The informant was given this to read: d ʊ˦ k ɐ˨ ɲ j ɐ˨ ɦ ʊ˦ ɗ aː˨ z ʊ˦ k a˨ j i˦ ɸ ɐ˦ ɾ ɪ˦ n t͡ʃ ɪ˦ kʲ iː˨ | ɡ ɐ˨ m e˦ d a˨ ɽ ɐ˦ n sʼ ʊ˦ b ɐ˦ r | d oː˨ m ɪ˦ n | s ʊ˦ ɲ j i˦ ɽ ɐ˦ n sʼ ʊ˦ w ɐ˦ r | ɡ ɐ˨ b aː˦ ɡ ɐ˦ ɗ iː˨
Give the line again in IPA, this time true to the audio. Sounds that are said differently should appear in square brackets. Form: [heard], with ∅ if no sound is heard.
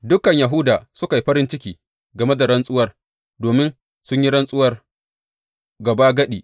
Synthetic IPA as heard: d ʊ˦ k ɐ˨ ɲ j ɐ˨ ɦ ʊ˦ [d] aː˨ [s] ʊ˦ k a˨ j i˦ ɸ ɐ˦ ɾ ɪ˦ n t͡ʃ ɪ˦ kʲ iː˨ | ɡ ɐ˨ m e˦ d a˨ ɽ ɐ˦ n sʼ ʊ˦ [w] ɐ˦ r | d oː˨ m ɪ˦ n | s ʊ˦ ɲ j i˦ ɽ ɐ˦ n sʼ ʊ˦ w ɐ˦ r | ɡ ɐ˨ b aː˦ ɡ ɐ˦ ɗ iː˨